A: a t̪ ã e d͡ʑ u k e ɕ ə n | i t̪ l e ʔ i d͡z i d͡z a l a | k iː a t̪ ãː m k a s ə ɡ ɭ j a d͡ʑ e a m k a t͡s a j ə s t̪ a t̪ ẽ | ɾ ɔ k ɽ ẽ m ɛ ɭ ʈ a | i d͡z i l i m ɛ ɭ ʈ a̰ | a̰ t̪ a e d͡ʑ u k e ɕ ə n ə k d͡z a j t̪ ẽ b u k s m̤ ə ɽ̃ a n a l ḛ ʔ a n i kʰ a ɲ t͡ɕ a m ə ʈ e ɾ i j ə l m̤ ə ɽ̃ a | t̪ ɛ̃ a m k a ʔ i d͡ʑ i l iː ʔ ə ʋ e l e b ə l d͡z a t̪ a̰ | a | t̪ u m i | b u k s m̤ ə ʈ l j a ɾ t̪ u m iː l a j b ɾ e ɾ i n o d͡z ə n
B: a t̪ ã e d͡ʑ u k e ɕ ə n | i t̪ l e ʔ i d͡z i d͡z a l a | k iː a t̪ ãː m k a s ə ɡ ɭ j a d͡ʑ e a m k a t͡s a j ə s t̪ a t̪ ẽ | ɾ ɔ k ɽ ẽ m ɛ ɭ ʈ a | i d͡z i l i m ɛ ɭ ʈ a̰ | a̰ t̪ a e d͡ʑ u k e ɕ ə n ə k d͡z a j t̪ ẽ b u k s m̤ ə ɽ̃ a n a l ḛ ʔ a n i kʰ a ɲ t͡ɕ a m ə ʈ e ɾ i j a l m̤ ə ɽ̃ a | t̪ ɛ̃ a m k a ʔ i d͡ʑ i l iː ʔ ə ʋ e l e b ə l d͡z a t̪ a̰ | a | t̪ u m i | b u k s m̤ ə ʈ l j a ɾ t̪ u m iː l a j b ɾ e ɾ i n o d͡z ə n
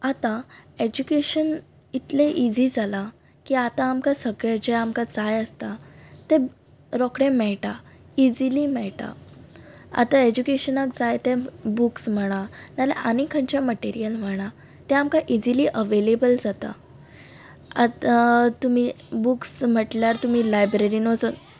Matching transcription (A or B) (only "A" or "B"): A